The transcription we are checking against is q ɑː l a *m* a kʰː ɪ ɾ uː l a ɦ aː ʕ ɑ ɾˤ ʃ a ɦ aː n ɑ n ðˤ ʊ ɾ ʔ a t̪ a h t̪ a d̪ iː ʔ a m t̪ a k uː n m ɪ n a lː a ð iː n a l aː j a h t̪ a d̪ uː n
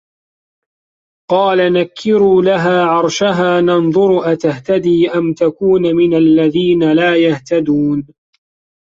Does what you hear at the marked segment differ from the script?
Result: yes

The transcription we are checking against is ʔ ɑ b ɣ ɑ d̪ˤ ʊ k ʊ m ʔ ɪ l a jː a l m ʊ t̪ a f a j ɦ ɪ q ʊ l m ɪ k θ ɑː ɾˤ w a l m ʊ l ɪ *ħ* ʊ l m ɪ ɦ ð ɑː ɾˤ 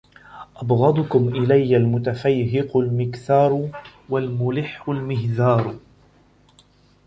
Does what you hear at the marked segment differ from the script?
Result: yes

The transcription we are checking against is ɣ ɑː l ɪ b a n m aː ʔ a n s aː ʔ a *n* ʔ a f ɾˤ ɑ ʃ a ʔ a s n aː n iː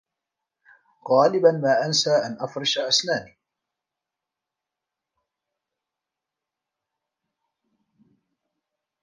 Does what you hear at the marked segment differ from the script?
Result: no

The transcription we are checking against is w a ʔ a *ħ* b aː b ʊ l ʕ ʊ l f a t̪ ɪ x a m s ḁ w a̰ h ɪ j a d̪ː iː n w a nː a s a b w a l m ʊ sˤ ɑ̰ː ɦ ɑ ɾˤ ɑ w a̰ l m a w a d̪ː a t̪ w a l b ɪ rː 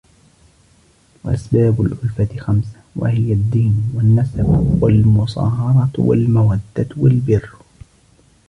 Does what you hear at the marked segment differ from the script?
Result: yes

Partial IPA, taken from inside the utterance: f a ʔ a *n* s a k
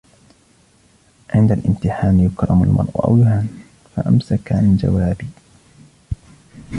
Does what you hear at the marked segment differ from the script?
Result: yes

